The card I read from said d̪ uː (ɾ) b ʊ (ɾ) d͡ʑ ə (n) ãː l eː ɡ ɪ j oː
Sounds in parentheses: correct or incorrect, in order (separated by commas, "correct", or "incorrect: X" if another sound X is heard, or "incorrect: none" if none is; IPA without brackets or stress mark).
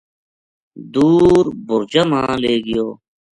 correct, correct, incorrect: m